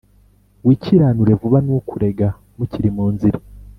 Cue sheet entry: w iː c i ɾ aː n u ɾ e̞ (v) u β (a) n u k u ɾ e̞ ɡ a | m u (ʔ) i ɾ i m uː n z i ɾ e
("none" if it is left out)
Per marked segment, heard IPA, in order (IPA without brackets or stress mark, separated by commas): v, a, c